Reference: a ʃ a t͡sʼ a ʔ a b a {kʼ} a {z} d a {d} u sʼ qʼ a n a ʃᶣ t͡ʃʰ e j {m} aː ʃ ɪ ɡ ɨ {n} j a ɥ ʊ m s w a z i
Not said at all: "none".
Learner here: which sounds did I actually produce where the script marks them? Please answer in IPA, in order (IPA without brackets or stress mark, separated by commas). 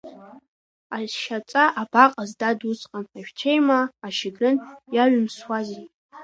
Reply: qʼ, z, d, m, n